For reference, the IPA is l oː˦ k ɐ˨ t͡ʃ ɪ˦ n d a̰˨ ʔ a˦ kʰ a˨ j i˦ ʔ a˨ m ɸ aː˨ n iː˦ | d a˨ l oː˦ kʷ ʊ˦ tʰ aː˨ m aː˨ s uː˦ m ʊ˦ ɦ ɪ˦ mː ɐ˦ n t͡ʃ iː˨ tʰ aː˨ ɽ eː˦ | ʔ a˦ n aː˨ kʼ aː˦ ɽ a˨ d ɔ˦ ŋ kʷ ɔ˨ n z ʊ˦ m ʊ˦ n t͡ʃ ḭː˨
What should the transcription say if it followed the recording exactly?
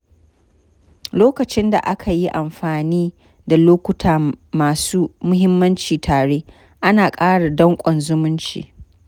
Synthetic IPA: l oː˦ k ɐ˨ t͡ʃ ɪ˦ n d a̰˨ ʔ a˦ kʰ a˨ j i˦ ʔ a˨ m ɸ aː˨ n iː˦ | d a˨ l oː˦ kʷ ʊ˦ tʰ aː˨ m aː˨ s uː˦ m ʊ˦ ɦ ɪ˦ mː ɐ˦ n t͡ʃ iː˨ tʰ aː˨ ɽ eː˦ | ʔ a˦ n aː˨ kʼ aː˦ ɽ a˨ d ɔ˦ ŋ kʷʼ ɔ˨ n z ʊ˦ m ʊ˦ n t͡ʃ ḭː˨